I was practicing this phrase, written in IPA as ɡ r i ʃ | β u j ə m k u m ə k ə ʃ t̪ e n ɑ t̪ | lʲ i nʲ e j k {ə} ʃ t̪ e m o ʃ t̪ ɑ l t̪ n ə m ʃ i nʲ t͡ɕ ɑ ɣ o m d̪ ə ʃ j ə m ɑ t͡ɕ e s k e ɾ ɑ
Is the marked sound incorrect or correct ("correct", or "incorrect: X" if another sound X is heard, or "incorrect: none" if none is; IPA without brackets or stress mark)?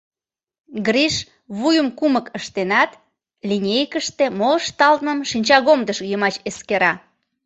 correct